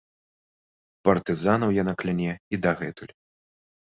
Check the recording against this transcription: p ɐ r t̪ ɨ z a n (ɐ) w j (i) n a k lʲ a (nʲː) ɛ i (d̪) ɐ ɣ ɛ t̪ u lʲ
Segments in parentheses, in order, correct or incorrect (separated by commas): correct, incorrect, incorrect, correct